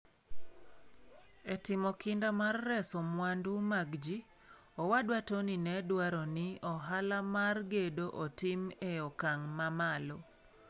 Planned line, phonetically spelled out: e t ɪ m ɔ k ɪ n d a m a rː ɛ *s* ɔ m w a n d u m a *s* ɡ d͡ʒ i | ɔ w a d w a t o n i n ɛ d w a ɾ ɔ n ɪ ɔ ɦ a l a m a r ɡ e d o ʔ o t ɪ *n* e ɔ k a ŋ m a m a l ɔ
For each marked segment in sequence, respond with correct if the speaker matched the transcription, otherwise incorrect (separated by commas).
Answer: correct, incorrect, incorrect